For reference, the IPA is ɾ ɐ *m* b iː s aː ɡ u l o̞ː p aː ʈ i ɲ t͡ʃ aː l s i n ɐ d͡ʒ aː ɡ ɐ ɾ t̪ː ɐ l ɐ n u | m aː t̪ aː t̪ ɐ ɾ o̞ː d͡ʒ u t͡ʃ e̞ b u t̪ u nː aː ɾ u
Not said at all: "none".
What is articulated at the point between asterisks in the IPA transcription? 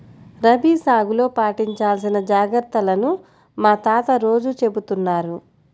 none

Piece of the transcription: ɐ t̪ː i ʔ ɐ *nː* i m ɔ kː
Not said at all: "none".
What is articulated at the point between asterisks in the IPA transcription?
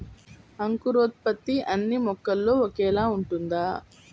nː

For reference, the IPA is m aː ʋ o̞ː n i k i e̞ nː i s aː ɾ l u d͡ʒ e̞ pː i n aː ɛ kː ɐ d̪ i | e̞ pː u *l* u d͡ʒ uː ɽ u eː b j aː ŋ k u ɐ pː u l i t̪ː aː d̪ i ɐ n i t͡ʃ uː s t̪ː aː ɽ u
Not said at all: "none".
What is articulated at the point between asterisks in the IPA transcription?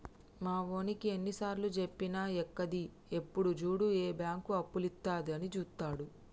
ɽ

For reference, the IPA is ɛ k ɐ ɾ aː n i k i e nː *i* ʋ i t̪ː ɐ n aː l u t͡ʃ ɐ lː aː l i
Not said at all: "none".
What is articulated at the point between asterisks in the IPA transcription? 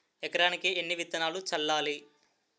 i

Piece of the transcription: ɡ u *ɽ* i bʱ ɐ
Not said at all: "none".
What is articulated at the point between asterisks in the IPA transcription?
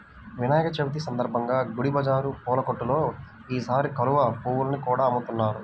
ɽ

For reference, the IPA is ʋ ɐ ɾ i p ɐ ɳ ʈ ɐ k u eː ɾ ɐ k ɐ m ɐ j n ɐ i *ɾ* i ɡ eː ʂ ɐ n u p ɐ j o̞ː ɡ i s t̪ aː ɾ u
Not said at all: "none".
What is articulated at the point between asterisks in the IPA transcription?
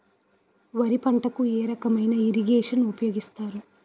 ɾ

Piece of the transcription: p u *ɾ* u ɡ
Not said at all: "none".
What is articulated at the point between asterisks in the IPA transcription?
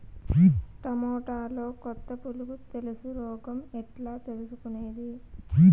l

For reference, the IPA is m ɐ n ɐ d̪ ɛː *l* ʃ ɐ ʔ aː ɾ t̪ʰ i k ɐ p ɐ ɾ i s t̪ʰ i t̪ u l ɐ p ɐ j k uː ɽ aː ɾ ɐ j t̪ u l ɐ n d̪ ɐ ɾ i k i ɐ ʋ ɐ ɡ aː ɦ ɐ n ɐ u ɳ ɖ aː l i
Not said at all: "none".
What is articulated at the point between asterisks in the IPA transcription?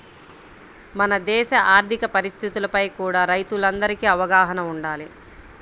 none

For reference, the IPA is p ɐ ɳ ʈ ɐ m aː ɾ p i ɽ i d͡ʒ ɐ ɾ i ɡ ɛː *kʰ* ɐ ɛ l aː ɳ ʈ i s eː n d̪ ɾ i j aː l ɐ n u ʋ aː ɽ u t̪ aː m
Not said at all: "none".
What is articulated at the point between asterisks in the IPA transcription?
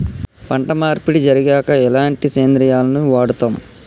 k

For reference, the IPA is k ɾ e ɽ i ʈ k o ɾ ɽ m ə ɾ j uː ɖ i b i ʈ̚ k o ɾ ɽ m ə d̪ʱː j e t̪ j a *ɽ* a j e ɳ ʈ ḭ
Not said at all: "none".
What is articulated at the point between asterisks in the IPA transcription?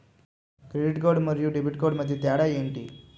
ɽ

